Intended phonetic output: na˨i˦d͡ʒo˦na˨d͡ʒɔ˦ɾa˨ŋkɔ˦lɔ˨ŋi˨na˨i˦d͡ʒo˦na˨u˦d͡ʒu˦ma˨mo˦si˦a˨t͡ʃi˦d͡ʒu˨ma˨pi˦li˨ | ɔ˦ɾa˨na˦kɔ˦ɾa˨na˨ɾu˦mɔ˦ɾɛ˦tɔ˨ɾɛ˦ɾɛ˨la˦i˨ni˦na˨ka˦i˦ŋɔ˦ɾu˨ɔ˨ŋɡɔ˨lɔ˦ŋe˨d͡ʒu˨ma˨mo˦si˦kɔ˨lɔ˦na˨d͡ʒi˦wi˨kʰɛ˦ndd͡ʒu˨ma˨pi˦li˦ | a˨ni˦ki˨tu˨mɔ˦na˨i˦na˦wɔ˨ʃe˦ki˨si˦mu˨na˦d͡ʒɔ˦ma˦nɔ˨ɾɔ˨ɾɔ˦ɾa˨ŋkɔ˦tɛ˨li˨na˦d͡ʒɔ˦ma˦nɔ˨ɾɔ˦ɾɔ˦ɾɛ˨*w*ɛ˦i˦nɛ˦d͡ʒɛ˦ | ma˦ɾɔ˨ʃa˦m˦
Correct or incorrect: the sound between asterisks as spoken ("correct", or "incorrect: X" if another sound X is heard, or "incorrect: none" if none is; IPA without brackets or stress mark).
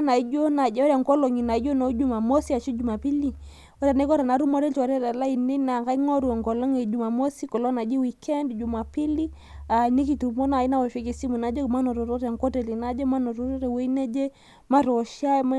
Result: correct